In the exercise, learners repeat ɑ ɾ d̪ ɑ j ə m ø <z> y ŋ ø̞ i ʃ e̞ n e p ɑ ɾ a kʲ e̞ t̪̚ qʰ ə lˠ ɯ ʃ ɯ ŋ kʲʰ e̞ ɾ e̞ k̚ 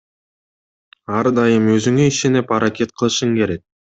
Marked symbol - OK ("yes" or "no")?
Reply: yes